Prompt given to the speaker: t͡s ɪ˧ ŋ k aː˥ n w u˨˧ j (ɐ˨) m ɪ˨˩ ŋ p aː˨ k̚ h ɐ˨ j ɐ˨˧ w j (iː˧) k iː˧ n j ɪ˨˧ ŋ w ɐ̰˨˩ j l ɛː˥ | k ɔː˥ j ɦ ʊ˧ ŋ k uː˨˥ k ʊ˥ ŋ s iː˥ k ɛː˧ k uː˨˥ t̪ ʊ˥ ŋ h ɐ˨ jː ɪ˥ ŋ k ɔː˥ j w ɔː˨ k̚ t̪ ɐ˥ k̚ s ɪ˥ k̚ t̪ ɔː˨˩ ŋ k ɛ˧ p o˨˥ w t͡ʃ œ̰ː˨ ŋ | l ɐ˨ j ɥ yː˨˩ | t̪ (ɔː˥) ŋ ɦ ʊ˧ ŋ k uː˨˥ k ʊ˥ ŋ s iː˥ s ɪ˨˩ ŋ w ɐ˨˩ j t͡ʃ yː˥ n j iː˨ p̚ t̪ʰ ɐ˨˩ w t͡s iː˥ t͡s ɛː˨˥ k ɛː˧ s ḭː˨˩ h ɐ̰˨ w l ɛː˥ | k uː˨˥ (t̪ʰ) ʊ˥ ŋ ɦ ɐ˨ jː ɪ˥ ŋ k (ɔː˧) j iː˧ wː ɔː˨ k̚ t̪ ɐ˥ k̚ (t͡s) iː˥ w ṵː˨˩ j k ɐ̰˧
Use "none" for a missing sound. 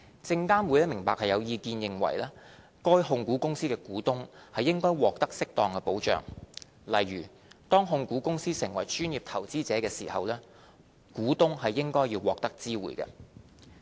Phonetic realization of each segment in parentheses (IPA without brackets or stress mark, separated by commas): ɐ˥, iː˧, ɔː˥, t̪, ɔː˥, t͡s